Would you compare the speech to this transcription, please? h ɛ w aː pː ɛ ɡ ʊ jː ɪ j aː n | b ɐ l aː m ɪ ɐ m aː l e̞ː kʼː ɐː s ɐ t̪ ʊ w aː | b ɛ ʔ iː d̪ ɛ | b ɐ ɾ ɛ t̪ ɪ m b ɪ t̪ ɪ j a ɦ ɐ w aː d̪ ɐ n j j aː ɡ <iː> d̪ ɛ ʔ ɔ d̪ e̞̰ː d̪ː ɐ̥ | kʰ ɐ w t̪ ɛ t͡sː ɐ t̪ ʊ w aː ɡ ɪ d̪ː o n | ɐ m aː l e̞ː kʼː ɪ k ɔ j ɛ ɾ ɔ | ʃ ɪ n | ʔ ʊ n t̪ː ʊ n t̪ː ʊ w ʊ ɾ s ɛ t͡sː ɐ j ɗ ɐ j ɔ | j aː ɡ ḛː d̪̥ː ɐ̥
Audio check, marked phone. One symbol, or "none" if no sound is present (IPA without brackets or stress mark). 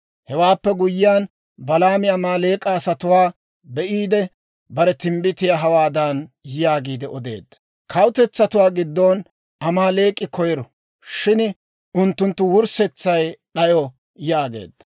iː